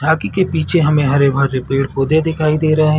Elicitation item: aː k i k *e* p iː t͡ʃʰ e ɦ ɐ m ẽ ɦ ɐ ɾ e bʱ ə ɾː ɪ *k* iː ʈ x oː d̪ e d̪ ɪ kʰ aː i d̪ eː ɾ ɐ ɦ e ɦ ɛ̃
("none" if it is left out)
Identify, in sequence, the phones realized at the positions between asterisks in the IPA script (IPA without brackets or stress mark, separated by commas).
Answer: e, p